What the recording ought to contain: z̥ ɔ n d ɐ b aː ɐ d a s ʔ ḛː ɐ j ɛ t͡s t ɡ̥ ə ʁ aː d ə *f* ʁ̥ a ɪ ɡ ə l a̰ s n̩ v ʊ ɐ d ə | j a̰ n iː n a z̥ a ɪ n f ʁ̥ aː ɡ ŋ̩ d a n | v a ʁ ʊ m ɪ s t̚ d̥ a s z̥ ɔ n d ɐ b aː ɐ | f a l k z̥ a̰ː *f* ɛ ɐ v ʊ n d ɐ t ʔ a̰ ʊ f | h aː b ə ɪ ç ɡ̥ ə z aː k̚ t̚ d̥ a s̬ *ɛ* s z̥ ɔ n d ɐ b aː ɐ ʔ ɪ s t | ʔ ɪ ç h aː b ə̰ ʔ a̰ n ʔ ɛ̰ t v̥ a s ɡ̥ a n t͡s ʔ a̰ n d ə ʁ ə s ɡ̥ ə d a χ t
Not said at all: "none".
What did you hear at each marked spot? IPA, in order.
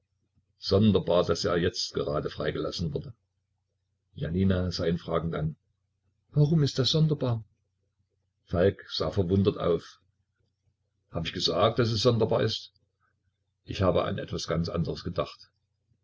f, f, ɛ

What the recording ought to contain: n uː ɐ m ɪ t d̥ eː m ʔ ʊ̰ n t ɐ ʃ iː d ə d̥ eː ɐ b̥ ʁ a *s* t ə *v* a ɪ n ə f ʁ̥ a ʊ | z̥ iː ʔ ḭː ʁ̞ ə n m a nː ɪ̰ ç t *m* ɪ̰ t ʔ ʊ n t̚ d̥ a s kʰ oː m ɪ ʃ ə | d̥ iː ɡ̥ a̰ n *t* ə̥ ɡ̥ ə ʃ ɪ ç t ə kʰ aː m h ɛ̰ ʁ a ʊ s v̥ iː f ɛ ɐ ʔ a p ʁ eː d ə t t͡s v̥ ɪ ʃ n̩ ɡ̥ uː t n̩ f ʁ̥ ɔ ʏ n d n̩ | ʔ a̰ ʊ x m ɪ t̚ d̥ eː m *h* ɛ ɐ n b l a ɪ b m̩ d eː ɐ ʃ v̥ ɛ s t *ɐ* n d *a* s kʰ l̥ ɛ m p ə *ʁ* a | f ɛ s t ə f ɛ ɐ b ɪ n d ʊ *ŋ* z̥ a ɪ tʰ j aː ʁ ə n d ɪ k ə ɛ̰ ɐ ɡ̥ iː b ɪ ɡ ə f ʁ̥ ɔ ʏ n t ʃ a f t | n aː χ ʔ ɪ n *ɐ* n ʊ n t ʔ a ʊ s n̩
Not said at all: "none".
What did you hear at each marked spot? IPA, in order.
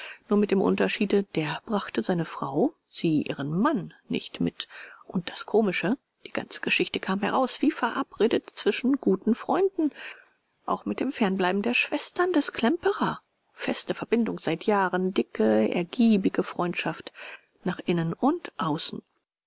χ, z, m, t͡s, f, ɐ, ɛ, ʁ, ŋ, ə

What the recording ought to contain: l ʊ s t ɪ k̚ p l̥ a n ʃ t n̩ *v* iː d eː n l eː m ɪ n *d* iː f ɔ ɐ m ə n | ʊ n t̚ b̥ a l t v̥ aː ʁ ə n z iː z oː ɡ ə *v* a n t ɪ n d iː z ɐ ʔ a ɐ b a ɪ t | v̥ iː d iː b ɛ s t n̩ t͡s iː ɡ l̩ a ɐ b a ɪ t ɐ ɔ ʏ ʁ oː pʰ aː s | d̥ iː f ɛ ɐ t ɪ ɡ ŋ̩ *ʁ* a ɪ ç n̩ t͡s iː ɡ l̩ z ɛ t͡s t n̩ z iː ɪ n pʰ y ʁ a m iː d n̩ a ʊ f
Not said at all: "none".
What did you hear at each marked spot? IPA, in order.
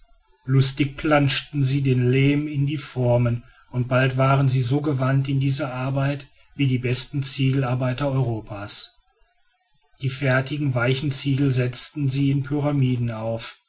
z, d, v, v

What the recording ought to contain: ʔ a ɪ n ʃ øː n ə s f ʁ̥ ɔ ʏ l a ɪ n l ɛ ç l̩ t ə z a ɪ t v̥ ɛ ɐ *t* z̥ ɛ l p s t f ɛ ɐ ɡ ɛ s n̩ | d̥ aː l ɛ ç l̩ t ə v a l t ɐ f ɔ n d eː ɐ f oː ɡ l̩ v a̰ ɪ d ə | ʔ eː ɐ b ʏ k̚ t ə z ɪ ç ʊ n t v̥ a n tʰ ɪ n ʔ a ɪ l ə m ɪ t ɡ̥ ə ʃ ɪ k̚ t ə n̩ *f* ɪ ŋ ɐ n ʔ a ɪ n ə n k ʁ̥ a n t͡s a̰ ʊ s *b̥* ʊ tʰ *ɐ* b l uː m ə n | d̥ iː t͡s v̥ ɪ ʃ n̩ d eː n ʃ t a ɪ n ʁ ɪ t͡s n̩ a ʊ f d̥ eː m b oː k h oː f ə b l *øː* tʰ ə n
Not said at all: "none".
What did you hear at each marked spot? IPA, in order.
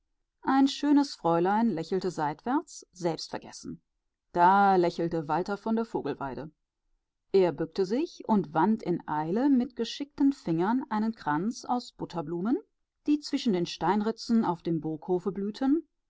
t͡s, f, b̥, ɐ, yː

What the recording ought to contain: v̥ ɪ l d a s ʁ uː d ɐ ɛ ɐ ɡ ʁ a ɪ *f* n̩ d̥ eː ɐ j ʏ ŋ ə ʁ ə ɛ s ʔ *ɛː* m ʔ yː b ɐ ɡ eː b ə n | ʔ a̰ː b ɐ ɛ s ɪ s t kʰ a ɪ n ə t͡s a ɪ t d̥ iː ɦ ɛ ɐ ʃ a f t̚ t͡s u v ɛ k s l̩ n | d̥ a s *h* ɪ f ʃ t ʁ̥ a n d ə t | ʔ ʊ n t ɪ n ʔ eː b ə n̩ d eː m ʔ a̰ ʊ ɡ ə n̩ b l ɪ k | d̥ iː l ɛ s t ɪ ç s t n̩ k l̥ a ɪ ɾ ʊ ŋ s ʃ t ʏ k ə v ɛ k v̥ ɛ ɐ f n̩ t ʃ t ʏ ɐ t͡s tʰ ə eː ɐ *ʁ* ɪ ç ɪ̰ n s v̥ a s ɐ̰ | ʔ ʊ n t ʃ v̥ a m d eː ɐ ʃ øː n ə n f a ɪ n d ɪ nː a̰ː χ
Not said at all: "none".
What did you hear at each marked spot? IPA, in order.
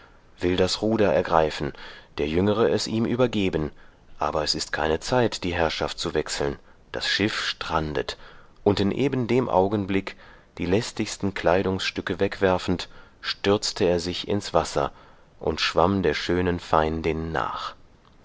f, iː, ʃ, z

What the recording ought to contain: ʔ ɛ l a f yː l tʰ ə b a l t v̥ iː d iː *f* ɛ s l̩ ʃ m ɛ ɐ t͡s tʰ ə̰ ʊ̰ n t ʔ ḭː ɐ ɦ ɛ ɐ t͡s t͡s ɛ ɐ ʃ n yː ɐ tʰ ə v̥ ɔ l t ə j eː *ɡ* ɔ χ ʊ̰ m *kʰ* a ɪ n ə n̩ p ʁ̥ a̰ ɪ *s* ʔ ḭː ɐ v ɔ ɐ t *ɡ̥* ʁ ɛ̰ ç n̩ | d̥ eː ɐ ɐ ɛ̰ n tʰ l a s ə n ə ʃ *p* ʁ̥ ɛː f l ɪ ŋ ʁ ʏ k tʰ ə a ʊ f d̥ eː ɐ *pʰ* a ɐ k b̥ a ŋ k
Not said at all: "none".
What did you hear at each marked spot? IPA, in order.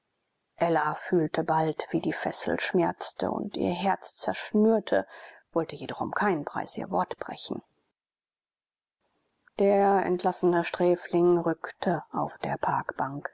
f, d, kʰ, s, b̥, t, pʰ

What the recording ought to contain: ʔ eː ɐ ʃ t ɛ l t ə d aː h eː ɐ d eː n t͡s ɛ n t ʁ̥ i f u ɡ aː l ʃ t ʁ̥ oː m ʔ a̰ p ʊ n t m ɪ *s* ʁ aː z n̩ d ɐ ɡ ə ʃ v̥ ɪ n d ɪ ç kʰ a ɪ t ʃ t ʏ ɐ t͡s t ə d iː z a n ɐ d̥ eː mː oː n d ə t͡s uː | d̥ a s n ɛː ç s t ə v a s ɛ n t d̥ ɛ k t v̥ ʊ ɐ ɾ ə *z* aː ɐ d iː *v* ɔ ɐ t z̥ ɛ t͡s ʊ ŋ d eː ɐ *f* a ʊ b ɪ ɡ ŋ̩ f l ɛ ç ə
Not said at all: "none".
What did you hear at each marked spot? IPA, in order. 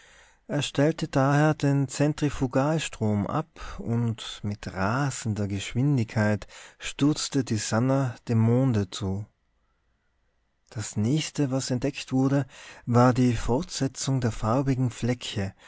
t, v, f, f

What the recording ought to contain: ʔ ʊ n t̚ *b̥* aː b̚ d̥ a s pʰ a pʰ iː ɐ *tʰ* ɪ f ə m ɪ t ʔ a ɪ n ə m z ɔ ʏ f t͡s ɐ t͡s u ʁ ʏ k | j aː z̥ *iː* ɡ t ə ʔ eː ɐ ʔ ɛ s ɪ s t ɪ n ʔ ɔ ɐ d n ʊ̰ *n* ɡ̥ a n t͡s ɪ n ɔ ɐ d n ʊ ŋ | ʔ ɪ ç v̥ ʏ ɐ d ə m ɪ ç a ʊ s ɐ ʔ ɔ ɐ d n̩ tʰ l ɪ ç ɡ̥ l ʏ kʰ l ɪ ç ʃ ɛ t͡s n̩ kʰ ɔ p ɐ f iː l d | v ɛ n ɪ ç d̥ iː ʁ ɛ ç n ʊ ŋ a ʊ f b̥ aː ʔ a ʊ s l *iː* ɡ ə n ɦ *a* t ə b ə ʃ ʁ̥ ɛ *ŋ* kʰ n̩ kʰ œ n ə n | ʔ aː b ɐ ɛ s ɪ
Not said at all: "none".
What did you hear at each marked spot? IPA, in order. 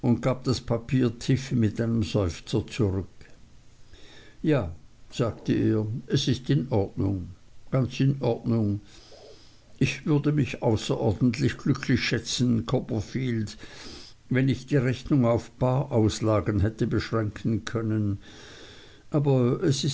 ɡ̥, tʰ, aː, ŋ, aː, ɛ, ŋ

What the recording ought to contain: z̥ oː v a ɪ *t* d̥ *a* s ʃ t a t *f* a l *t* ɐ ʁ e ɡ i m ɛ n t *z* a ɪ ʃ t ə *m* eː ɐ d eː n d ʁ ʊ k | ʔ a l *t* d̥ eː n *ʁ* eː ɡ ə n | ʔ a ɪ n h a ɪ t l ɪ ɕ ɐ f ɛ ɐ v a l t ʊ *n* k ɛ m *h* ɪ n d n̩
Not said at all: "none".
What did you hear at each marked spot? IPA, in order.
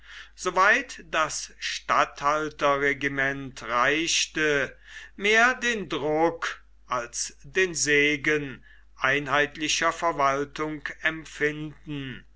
t, a, h, t, ʁ, m, s, z, ŋ, f

